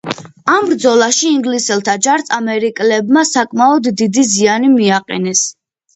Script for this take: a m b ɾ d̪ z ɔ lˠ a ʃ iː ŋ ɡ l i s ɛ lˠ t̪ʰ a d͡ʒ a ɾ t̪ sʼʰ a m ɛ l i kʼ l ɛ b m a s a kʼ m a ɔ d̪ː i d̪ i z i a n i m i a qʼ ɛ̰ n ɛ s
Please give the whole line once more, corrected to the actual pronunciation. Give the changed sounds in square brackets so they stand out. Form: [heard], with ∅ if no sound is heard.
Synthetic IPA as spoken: a m b ɾ d̪ z ɔ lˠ a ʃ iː ŋ ɡ l i s ɛ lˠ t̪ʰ a d͡ʒ a ɾ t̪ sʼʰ a m ɛ [ɾ] i kʼ l ɛ b m a s a kʼ m a ɔ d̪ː i d̪ i z i a n i m i a qʼ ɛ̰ n ɛ s